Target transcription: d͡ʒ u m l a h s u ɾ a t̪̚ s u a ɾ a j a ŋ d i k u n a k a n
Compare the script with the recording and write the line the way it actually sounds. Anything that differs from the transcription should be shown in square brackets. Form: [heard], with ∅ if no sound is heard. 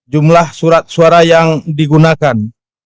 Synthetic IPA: d͡ʒ u m l a h s u ɾ a t̪̚ s u a ɾ a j a ŋ d i [ɡ] u n a k a n

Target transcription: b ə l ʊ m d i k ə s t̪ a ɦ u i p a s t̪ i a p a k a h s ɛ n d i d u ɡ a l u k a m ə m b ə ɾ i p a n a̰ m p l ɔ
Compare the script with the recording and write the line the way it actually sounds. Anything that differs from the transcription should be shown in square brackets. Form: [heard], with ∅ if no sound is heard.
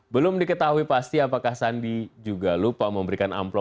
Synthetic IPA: b ə l ʊ m d i k ə [∅] t̪ a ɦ u i p a s t̪ i a p a k a h s [a] n d i [d͡ʒ] u ɡ a l u [p] a m ə m b ə ɾ i [k] a n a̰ m p l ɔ

